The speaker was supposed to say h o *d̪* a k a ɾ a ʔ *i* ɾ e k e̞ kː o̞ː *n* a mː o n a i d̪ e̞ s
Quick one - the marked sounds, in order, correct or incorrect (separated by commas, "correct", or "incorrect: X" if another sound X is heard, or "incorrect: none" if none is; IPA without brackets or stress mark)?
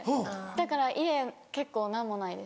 correct, correct, correct